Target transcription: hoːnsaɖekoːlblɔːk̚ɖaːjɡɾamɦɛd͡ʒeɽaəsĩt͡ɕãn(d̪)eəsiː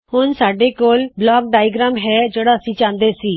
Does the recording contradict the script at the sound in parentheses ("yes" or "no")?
no